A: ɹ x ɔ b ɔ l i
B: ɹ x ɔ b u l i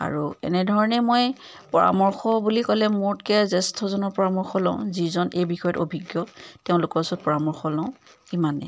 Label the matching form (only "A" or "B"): B